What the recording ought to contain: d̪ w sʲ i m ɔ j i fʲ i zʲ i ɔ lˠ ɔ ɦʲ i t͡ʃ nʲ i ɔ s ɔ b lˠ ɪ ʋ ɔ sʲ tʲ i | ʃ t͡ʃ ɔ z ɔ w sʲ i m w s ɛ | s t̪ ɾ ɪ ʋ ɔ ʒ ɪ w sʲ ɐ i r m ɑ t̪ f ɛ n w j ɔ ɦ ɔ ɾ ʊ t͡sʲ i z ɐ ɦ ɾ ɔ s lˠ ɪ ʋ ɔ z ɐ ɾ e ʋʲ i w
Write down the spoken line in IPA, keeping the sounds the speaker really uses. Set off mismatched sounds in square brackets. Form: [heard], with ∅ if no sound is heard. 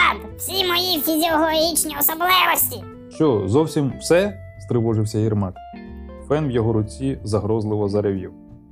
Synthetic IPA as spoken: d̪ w sʲ i m ɔ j i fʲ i zʲ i ɔ lˠ ɔ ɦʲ i t͡ʃ nʲ i ɔ s ɔ b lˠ ɪ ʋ ɔ sʲ tʲ i | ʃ t͡ʃ ɔ z ɔ w sʲ i m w s ɛ | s t̪ ɾ ɪ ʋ ɔ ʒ ɪ w sʲ ɐ i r m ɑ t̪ f ɛ n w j ɔ ɦ ɔ ɾ ʊ t͡sʲ i z ɐ ɦ ɾ ɔ [z] lˠ ɪ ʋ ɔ z ɐ ɾ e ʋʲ i w